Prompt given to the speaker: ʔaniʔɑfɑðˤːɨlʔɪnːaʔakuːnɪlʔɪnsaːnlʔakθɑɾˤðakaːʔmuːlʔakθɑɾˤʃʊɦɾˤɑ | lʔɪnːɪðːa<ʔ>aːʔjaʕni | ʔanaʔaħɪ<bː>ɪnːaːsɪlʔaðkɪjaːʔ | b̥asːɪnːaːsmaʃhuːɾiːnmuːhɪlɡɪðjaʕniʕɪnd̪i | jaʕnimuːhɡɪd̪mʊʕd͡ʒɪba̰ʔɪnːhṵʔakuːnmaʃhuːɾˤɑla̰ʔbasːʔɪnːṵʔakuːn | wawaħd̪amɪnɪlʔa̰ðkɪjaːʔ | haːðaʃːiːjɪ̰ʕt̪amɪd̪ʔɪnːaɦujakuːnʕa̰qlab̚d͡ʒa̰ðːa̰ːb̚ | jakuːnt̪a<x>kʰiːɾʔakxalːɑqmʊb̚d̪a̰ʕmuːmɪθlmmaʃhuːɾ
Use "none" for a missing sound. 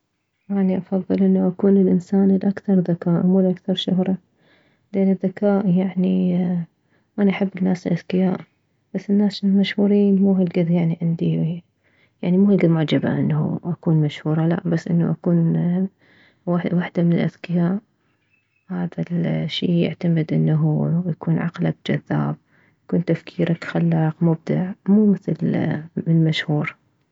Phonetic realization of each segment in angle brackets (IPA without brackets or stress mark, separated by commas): k, bː, f